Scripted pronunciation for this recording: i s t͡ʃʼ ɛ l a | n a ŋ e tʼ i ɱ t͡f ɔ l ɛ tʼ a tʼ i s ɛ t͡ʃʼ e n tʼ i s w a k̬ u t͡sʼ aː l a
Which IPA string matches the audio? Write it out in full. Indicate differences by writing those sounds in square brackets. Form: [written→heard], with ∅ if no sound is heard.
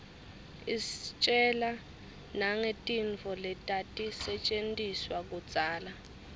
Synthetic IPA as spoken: i s t͡ʃʼ ɛ l a | n a ŋ e tʼ i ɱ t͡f ɔ l ɛ tʼ a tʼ i s ɛ t͡ʃʼ e n tʼ i s w a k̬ u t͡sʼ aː l a